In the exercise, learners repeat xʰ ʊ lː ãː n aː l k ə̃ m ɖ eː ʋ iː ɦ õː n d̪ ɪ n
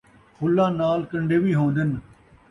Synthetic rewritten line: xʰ ʊ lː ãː n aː l k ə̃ ɳ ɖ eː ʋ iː ɦ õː n d̪ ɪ n